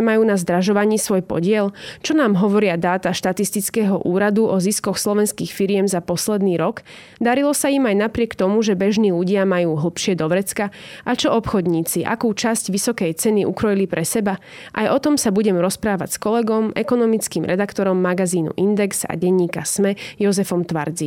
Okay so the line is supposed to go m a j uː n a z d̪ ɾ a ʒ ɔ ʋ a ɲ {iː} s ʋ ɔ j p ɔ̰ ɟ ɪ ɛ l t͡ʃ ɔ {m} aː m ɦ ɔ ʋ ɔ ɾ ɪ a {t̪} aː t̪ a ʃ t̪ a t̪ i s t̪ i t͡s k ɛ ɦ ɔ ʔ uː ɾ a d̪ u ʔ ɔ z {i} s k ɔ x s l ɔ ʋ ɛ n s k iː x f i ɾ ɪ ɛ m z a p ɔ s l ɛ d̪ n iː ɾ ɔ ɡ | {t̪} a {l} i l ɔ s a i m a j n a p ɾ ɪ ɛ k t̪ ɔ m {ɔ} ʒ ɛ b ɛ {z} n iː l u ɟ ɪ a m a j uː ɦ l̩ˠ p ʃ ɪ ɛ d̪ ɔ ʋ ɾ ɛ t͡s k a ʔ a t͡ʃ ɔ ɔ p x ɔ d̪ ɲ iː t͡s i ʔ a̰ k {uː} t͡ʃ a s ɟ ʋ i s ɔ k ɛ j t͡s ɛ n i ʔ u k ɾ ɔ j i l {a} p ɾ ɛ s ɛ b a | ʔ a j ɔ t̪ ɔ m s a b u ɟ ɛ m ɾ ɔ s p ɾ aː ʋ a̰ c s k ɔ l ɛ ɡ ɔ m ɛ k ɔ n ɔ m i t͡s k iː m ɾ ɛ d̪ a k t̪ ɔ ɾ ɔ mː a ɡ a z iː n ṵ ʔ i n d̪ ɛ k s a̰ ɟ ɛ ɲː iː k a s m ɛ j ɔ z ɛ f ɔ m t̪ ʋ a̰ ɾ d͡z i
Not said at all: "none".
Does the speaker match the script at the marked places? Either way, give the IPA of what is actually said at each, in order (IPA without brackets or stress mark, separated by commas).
iː, n, d̪, i, d̪, ɾ, u, ʒ, uː, i